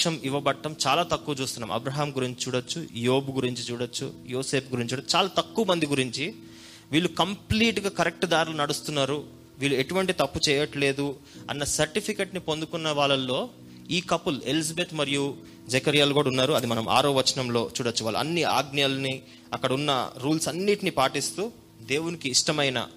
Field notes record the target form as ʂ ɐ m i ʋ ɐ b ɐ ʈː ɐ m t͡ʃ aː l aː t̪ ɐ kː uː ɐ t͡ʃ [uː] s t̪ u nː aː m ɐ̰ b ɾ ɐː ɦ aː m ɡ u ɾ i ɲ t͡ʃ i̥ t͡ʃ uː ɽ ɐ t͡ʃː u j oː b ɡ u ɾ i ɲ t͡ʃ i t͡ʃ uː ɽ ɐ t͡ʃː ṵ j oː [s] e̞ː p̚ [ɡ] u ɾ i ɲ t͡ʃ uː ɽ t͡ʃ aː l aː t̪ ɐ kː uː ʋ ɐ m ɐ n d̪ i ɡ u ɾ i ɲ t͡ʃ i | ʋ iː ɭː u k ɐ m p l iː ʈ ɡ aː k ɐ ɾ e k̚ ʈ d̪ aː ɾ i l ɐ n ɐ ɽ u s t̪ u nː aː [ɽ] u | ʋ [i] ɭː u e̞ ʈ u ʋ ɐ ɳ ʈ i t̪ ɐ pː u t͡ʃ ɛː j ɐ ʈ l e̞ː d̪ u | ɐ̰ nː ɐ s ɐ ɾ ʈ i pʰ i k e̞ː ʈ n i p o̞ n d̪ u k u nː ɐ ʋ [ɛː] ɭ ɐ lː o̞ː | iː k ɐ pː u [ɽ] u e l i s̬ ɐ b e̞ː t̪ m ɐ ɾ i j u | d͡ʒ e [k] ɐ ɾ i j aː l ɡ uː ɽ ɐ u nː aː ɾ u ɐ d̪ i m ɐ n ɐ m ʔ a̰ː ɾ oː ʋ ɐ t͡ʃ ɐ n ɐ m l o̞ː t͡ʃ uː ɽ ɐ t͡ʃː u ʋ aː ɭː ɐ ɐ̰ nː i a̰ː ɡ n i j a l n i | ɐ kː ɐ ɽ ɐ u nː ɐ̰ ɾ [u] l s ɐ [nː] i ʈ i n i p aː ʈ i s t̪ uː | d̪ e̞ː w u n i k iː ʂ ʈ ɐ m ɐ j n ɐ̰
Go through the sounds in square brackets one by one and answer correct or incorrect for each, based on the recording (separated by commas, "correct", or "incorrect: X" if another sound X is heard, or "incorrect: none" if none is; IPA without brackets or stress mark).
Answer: correct, correct, correct, incorrect: ɾ, incorrect: iː, incorrect: aː, incorrect: l, correct, incorrect: uː, correct